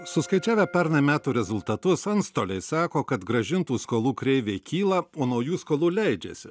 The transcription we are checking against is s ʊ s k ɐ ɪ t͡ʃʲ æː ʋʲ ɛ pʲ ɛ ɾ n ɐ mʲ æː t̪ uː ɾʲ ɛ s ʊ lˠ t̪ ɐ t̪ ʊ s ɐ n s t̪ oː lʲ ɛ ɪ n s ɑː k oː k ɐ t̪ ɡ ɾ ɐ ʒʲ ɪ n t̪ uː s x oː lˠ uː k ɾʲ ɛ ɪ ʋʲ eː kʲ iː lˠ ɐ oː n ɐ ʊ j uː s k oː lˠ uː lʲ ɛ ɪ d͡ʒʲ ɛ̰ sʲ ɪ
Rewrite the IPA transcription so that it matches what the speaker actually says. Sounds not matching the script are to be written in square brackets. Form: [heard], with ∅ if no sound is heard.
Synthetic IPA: s ʊ s k ɐ ɪ t͡ʃʲ æː ʋʲ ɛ pʲ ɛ ɾ n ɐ mʲ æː t̪ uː ɾʲ ɛ [z] ʊ lˠ t̪ ɐ t̪ ʊ s ɐ n s t̪ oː lʲ ɛ ɪ [∅] s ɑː k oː k ɐ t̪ ɡ ɾ ɐ ʒʲ ɪ n t̪ uː s [k] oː lˠ uː k ɾʲ ɛ ɪ ʋʲ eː kʲ iː lˠ ɐ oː n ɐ ʊ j uː s k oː lˠ uː lʲ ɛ ɪ d͡ʒʲ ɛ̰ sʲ ɪ